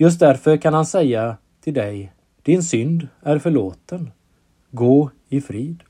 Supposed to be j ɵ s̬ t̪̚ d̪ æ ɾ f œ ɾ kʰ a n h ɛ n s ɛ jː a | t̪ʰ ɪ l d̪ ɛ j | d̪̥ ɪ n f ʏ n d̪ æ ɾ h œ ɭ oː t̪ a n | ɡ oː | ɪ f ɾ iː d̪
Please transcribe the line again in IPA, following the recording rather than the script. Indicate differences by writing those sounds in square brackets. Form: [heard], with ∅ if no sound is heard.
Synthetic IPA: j ɵ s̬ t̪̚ d̪ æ ɾ f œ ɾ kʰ a n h [a] n s ɛ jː a | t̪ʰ ɪ l d̪ ɛ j | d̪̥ ɪ n [s] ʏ n d̪ æ ɾ [f] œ ɭ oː t̪ [ə] n | ɡ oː | ɪ f ɾ iː d̪